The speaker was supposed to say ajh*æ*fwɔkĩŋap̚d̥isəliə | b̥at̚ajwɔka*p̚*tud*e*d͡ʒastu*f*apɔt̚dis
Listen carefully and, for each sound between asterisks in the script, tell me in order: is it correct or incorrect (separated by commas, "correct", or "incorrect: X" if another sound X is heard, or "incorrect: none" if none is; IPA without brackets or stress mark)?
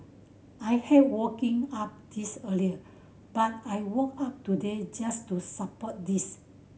incorrect: ɛ, correct, correct, incorrect: s